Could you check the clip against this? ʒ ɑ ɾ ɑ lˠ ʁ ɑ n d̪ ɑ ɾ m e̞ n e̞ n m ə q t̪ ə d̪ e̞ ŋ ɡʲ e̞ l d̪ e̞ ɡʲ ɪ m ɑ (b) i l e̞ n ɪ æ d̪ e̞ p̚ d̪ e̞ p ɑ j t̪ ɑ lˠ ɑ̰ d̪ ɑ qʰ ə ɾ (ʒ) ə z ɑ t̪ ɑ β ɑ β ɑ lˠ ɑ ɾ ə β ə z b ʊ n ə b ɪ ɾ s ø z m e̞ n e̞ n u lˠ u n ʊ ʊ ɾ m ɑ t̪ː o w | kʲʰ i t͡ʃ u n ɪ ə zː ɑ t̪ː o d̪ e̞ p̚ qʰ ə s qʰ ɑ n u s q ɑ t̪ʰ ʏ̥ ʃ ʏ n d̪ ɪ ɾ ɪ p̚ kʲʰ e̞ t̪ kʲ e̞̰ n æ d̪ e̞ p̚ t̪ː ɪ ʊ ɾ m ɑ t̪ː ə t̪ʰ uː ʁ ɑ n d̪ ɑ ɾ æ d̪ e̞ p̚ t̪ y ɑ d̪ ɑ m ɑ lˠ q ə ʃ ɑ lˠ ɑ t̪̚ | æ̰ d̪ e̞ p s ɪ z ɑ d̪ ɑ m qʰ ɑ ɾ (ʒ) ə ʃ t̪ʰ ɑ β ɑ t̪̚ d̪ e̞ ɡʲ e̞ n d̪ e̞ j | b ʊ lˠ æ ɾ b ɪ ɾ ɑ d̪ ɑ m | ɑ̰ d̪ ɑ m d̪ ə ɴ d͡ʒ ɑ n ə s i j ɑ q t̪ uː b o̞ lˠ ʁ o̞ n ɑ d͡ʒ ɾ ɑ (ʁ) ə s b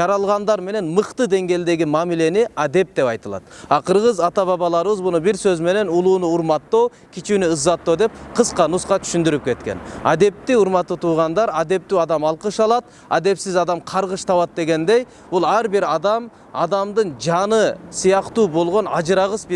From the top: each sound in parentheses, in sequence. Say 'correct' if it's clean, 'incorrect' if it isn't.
incorrect, incorrect, incorrect, correct

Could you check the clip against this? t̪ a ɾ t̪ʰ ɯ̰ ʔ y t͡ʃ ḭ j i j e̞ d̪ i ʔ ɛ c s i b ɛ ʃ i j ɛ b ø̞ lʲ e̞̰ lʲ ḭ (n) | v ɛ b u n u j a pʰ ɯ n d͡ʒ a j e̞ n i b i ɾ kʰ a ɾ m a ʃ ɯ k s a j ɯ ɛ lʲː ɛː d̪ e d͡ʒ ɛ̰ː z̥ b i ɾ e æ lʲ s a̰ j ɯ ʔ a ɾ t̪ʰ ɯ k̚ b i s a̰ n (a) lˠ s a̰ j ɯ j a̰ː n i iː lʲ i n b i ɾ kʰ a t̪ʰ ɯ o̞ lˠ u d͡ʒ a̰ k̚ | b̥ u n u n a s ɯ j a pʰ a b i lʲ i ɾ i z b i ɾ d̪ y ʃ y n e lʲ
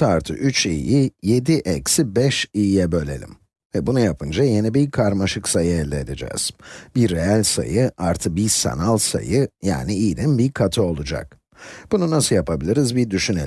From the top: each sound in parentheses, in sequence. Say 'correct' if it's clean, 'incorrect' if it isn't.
incorrect, correct

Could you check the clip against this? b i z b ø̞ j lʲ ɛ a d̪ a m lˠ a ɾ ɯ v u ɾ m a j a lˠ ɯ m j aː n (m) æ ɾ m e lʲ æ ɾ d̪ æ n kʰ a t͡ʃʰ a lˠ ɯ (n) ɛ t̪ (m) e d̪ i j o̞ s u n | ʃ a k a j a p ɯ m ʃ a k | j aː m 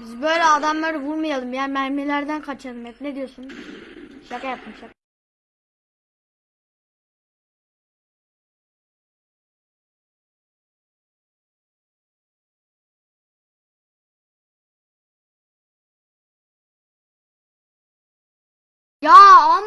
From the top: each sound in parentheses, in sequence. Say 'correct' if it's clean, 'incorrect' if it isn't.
correct, incorrect, incorrect

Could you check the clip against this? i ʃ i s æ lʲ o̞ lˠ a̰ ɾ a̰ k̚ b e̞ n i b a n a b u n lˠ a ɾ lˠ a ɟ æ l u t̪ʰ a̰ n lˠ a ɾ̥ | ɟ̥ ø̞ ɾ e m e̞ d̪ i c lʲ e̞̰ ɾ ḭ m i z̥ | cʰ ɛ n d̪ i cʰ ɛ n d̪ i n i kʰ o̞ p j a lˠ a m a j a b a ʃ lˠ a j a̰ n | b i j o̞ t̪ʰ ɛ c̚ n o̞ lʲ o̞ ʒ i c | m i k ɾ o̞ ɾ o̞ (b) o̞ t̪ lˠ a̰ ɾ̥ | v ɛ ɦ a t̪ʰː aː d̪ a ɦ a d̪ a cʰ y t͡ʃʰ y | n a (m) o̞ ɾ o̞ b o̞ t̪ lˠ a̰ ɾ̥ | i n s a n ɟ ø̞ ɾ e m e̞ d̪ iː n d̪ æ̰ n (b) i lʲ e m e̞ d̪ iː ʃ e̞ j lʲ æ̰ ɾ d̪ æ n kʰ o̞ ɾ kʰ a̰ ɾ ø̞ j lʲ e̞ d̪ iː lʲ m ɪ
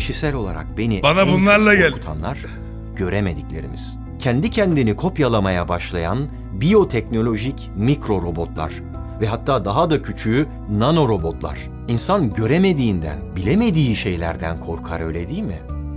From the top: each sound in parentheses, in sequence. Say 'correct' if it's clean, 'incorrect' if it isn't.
correct, incorrect, correct

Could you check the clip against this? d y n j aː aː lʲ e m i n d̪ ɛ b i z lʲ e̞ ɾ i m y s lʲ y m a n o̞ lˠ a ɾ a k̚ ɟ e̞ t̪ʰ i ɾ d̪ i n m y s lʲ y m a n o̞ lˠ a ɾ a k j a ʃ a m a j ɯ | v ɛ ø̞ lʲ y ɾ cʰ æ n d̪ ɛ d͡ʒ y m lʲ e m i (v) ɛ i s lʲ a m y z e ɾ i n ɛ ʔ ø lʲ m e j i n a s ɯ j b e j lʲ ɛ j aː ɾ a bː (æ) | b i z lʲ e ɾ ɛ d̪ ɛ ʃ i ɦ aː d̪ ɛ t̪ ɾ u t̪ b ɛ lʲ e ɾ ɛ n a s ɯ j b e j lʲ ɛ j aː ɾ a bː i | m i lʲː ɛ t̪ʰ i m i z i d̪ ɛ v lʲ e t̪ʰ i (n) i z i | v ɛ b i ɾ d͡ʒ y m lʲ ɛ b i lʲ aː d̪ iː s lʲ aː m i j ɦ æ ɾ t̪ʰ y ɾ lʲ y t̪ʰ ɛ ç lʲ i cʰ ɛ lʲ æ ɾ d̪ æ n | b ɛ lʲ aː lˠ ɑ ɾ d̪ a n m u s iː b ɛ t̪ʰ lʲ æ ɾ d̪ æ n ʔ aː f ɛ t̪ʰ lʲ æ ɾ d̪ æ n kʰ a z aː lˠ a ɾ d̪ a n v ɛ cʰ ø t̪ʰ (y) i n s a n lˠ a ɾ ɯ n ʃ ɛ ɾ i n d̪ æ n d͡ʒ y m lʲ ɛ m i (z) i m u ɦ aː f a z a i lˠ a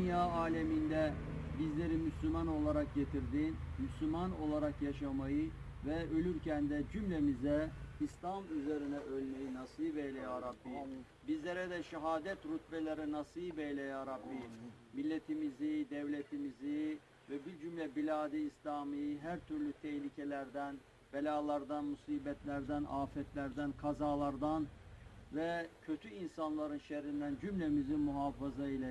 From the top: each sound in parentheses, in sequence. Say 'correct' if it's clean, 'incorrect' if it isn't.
incorrect, incorrect, incorrect, correct, correct

